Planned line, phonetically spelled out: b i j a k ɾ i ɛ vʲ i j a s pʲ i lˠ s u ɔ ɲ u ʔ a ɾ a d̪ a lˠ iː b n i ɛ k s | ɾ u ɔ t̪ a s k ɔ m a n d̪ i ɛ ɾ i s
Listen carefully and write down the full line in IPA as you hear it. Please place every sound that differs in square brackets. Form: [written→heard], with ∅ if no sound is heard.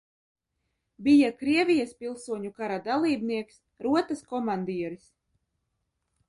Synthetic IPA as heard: b i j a k ɾ i ɛ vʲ i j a s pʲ i lˠ s u ɔ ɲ u [ʔ→k] a ɾ a d̪ a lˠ iː b n i ɛ k s | ɾ u ɔ t̪ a s k ɔ m a n d̪ i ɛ ɾ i s